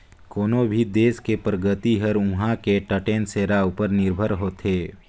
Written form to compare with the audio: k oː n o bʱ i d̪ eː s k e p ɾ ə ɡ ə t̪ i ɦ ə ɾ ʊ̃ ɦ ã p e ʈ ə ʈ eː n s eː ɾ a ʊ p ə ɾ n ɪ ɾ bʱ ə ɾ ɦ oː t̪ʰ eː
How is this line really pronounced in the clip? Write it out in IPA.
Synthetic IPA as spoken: k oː n o bʱ i d̪ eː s k e p ɾ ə ɡ ə t̪ i ɦ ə ɾ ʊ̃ ɦ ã k e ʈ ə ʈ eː n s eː ɾ a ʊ p ə ɾ n ɪ ɾ bʱ ə ɾ ɦ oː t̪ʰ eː